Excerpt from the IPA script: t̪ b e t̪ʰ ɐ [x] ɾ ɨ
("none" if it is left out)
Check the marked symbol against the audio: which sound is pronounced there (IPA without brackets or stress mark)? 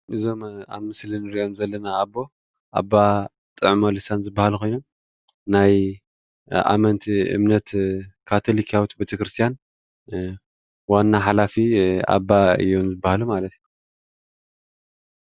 k